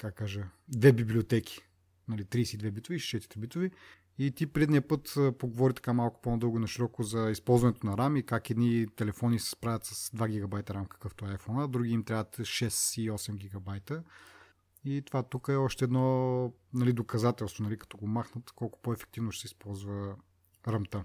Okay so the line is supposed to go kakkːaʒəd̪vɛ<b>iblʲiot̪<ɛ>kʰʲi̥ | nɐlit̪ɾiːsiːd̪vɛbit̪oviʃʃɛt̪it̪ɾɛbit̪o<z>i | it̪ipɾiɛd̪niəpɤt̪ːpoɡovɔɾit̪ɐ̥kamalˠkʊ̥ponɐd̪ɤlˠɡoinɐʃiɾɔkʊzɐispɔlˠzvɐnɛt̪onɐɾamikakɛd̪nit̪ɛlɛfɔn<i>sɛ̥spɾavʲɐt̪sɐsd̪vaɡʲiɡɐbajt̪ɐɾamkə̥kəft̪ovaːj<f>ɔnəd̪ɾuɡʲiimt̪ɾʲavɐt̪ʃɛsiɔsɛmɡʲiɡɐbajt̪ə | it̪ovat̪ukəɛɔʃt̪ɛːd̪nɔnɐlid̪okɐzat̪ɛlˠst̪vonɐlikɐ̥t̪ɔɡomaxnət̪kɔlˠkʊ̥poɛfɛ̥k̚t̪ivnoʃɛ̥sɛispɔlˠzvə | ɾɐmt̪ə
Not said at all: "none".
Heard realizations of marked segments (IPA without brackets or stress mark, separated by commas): b, ɛ, v, i, f